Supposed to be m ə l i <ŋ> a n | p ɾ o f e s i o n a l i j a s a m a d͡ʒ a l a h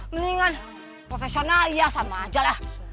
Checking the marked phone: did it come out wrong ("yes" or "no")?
no